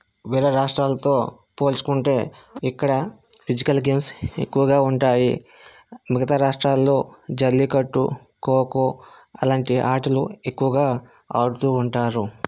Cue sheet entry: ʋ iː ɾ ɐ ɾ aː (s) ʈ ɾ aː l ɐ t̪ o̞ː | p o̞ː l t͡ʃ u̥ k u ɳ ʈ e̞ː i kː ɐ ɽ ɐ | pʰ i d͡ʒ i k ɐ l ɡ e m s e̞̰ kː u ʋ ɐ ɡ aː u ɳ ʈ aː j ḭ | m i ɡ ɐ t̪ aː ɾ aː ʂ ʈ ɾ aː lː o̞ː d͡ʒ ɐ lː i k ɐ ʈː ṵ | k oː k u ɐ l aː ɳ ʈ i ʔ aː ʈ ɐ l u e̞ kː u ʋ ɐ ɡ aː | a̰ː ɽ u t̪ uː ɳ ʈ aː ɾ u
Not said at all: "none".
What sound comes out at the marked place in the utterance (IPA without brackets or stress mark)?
ʂ